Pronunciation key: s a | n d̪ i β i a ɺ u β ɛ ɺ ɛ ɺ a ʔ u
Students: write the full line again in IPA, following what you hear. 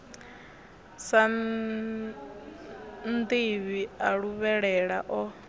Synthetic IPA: s a | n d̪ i β i a ɺ u β ɛ ɺ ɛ ɺ a ʔ ɔ